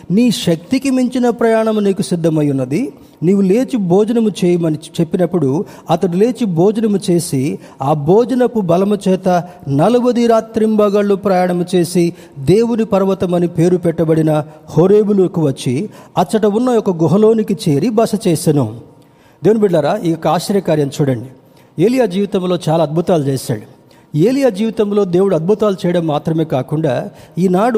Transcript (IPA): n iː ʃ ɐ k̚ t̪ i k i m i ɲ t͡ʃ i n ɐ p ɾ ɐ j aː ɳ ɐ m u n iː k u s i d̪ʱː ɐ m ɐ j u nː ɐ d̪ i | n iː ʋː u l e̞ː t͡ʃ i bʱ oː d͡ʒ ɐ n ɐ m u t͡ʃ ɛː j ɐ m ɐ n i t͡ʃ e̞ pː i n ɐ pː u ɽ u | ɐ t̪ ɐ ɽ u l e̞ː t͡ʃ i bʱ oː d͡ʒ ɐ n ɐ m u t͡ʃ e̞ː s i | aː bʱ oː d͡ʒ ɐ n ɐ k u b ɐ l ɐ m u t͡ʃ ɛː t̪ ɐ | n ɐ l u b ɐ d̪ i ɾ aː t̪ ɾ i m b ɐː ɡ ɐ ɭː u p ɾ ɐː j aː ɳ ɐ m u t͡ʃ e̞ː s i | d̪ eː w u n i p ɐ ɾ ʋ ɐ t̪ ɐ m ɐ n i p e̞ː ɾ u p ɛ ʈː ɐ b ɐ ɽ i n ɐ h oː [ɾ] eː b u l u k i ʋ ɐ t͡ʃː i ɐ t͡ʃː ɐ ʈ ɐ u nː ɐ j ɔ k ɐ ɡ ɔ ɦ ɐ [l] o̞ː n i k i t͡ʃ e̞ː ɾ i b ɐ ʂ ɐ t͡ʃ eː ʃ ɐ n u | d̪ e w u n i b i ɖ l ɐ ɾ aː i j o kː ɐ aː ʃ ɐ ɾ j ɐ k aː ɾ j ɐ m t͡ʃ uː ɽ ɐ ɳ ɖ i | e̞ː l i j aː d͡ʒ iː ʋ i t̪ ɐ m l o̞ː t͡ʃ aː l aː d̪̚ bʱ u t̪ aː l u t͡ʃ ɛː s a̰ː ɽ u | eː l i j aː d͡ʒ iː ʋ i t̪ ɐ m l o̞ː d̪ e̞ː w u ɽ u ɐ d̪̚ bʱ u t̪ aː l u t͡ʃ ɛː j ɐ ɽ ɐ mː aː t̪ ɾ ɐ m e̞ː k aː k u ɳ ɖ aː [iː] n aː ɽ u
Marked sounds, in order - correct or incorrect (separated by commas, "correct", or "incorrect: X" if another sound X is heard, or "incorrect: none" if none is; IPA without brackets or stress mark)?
correct, correct, correct